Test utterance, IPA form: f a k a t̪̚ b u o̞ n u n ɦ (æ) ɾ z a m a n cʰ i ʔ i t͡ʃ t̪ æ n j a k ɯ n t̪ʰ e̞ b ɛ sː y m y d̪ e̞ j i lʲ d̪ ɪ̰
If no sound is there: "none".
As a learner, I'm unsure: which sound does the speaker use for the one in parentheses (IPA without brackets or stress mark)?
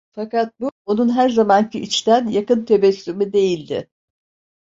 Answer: æ